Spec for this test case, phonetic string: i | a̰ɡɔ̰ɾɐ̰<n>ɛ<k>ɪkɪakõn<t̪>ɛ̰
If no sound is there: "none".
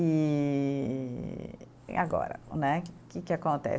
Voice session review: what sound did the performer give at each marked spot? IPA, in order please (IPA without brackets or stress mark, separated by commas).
n, k, t̪